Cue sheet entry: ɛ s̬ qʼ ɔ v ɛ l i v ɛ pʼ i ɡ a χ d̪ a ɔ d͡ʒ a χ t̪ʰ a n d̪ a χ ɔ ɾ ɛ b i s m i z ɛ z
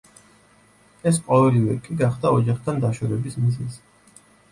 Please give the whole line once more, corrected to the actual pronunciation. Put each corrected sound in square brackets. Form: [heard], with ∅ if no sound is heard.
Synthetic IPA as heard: ɛ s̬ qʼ ɔ v ɛ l i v ɛ [kʼ] i ɡ a χ d̪ a ɔ d͡ʒ a χ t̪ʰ a n d̪ a [ʃ] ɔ ɾ ɛ b i s m i z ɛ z